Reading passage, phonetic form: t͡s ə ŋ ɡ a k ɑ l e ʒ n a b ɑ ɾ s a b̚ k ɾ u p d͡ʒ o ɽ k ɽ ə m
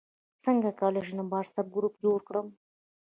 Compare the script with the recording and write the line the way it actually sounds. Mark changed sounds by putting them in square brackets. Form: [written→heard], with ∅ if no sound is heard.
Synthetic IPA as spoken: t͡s ə ŋ ɡ a k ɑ l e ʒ n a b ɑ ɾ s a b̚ [k→ɡ] ɾ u p d͡ʒ o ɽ k ɽ ə m